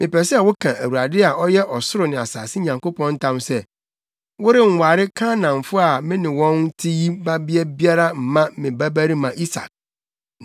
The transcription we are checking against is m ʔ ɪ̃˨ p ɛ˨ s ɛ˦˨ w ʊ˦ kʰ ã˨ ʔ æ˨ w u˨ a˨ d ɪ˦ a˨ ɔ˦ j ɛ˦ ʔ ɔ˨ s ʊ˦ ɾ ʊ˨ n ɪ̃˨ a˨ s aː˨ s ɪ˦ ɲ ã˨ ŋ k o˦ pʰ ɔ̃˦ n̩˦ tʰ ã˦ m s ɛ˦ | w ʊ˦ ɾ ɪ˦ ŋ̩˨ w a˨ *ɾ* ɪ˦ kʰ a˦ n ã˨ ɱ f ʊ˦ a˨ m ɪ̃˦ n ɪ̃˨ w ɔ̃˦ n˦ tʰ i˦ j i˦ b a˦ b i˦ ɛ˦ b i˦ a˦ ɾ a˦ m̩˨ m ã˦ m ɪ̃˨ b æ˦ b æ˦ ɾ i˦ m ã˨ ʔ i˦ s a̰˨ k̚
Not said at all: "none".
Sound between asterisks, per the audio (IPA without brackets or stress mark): ɾ